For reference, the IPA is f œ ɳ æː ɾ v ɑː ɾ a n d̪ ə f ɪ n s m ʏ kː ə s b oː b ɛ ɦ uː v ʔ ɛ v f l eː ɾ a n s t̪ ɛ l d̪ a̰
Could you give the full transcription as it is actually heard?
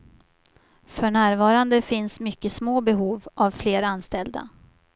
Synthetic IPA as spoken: f œ ɳ æː ɾ v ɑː ɾ a n d̪ ə f ɪ n s m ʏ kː ə s m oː b ɛ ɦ uː v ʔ a v f l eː ɾ a n s t̪ ɛ l d̪ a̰